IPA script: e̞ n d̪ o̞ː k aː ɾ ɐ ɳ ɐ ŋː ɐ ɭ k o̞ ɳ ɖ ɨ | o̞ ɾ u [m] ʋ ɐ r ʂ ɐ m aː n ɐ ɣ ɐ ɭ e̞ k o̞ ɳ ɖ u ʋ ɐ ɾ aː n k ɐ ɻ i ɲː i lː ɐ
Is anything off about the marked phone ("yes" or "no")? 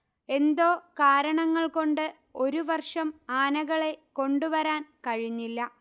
yes